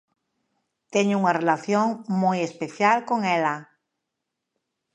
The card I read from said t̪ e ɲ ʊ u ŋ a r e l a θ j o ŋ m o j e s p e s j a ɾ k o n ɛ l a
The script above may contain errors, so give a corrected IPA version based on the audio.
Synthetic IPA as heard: t̪ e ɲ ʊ u ŋ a r e l a θ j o ŋ m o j e s p e θ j a l k o ŋ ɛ l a